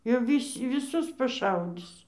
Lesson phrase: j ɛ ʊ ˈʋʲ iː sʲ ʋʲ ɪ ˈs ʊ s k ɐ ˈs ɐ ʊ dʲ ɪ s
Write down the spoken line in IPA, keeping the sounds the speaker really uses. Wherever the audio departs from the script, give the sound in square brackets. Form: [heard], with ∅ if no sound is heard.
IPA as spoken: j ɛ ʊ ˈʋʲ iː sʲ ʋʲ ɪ ˈs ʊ s [p] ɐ [ˈʃ] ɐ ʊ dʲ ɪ s